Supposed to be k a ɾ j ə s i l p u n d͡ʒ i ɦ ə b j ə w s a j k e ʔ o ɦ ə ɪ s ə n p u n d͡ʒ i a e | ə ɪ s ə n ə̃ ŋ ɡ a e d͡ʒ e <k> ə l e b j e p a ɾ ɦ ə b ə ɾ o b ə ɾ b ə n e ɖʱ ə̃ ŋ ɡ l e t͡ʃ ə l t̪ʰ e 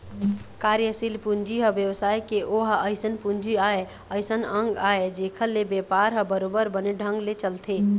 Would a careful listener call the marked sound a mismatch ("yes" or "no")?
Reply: yes